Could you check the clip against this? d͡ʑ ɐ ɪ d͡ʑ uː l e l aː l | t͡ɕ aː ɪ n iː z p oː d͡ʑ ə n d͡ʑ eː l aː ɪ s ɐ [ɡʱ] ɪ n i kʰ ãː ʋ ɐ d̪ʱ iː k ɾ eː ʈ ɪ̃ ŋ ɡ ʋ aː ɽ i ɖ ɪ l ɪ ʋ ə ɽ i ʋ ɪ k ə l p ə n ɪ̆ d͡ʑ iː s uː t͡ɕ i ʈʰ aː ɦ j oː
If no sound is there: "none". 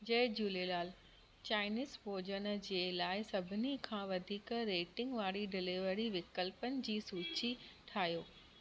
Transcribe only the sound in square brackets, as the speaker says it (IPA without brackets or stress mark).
bʱ